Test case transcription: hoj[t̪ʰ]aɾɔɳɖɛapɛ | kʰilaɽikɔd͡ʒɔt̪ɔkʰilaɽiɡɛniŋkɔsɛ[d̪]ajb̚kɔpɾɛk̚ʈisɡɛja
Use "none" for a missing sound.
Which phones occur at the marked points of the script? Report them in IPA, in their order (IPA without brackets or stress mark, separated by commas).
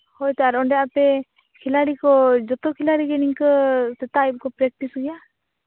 t̪, t̪